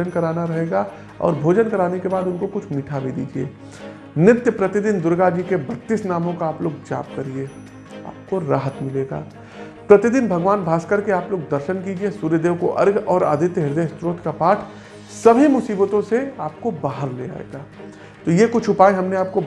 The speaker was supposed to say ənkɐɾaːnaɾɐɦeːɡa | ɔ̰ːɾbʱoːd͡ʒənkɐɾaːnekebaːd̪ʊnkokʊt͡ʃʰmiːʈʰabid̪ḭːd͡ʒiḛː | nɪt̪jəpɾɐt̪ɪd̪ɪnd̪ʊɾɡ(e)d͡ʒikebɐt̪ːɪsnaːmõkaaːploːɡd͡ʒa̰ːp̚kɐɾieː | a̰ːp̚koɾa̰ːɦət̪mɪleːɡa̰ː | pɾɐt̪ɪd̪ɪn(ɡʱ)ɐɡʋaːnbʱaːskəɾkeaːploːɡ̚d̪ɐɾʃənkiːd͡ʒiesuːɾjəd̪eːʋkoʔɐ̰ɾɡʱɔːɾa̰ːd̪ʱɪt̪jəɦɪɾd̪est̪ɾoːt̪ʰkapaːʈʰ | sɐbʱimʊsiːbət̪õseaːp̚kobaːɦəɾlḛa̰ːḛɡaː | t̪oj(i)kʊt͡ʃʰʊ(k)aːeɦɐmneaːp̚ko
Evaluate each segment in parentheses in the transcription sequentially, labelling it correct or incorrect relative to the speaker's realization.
incorrect: a, incorrect: bʱ, incorrect: e, incorrect: p

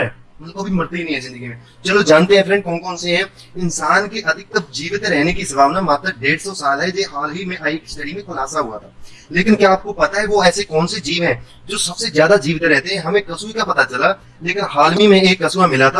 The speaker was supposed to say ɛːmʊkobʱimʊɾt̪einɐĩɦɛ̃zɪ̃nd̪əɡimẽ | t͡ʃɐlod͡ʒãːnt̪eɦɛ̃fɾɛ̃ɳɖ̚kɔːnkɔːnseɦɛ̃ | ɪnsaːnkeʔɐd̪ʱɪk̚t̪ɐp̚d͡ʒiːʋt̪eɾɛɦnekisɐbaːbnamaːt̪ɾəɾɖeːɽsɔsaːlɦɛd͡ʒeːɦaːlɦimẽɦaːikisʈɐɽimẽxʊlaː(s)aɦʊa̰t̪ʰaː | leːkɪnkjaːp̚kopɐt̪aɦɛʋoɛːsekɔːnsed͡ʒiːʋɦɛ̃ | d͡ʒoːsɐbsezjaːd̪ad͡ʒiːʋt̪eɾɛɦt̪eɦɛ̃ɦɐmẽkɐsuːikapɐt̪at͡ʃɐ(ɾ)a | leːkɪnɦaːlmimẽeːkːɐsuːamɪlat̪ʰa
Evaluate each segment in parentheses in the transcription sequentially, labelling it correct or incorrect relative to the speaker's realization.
correct, incorrect: l

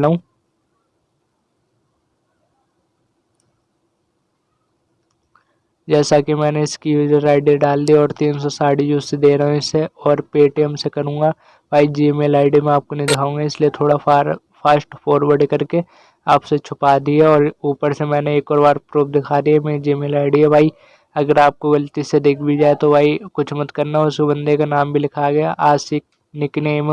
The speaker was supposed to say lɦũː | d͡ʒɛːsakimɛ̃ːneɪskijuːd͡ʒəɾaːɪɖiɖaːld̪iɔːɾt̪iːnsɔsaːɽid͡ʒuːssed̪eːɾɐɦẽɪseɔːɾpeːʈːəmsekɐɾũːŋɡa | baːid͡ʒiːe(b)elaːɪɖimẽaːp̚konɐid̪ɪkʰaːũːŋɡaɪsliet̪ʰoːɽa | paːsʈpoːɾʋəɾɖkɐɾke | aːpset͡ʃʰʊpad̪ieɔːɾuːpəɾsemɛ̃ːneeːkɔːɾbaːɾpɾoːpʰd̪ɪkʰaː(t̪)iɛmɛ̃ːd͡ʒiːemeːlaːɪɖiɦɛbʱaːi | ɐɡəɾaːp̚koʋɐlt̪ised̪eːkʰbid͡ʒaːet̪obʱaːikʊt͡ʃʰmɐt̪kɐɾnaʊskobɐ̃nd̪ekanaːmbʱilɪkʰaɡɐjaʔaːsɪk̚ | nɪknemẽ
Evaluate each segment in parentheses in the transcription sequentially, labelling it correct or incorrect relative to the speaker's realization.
incorrect: m, incorrect: d̪

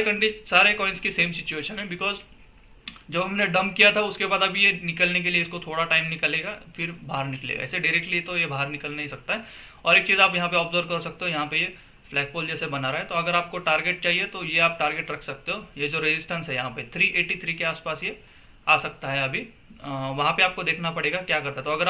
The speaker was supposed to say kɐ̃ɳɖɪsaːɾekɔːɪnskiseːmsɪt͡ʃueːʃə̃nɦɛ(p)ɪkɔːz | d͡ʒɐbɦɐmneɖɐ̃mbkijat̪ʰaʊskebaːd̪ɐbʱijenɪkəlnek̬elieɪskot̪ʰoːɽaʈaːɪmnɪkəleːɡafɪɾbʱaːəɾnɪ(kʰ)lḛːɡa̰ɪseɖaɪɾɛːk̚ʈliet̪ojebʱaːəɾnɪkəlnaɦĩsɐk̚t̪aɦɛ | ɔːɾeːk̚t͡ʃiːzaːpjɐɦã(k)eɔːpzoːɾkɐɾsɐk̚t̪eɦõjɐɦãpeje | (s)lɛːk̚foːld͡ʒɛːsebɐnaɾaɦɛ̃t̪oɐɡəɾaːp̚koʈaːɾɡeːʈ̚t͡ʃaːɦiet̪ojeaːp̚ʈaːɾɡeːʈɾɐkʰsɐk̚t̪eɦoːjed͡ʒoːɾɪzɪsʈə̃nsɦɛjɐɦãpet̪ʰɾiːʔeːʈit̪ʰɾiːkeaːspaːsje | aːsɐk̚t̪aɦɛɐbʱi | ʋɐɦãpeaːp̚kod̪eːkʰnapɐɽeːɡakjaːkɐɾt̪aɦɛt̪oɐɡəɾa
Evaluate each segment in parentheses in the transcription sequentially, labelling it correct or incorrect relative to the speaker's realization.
incorrect: b, incorrect: k, incorrect: p, incorrect: f

